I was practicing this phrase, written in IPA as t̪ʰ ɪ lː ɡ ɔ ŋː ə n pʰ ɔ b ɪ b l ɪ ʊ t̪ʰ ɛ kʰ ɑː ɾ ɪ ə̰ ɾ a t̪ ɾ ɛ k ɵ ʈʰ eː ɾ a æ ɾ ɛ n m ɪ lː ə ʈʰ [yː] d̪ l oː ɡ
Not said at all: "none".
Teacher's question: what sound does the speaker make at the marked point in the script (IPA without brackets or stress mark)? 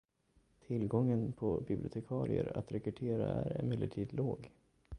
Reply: iː